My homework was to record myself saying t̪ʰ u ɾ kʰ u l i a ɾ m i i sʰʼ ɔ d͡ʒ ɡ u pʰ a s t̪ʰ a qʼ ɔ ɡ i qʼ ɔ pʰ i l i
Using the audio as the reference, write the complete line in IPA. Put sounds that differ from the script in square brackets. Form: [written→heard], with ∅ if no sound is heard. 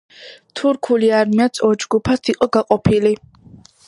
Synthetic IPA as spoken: t̪ʰ u ɾ kʰ u l i a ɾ m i [i→a] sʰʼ ɔ d͡ʒ ɡ u pʰ a s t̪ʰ [a→i] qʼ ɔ ɡ [i→a] qʼ ɔ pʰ i l i